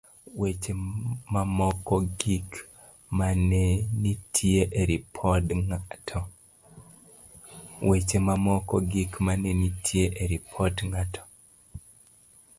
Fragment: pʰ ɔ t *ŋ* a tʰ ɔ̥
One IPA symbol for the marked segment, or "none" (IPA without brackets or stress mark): ŋ